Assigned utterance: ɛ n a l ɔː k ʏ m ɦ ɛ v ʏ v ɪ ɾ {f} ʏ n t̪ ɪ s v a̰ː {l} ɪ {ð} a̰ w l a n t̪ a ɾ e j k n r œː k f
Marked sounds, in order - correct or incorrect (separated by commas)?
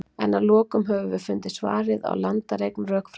correct, incorrect, correct